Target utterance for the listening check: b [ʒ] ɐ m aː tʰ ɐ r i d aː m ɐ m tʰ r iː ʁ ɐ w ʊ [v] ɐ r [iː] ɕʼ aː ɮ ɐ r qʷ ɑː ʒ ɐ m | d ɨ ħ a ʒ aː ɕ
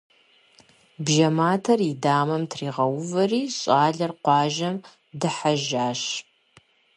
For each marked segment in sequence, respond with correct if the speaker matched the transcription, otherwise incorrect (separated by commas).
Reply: correct, correct, correct